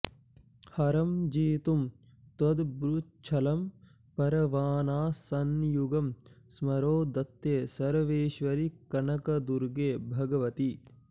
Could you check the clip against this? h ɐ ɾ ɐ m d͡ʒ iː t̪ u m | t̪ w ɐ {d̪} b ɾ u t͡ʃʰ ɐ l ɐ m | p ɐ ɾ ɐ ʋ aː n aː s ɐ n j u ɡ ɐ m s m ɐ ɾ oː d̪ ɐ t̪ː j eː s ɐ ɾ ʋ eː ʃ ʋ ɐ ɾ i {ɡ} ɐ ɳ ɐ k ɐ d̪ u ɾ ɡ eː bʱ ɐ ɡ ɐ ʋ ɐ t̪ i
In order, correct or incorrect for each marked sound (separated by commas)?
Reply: correct, incorrect